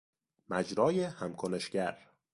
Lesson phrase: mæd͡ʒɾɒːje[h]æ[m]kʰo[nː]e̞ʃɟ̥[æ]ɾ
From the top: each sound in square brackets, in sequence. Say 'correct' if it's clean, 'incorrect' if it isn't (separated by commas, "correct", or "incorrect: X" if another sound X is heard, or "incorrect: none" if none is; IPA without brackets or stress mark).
correct, correct, incorrect: n, correct